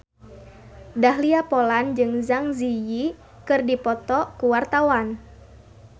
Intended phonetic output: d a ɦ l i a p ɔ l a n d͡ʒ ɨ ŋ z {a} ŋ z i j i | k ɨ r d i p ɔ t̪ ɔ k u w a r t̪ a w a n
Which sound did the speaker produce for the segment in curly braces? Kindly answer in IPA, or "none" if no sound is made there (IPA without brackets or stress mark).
a